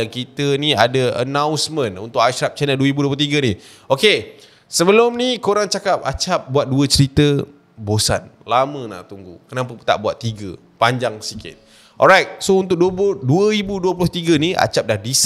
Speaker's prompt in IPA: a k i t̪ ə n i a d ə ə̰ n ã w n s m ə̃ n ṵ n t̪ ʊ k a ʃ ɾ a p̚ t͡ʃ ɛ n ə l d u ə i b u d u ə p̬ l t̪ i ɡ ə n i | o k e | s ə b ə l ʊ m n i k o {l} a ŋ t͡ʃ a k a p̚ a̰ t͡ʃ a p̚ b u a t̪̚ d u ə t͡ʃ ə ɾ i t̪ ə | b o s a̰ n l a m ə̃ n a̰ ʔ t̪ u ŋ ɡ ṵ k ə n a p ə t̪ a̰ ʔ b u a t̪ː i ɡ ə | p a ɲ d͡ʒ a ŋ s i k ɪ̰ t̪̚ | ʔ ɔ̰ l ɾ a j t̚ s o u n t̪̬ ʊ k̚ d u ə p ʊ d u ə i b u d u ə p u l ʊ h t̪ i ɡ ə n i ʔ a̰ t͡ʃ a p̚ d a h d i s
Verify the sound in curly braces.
incorrect: ɾ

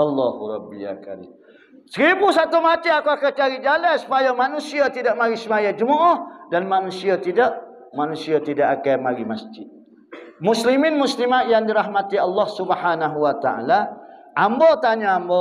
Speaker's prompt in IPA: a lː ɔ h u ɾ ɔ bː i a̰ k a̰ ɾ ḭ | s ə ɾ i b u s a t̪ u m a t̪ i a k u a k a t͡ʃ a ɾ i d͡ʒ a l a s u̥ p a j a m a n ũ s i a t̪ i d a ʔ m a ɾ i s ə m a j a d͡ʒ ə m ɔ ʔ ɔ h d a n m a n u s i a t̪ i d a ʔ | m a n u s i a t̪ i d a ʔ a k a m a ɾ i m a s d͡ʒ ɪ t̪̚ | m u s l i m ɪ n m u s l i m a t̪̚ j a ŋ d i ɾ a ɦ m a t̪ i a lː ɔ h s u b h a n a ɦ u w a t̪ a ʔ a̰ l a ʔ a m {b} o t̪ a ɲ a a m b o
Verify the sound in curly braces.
correct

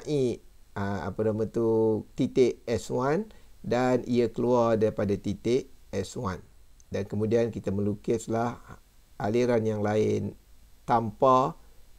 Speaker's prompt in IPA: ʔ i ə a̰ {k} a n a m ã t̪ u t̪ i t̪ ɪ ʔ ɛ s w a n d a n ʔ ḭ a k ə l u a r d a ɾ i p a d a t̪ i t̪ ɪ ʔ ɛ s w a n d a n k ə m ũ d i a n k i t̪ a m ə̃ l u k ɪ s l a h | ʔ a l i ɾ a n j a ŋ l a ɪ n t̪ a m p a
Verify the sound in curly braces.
incorrect: p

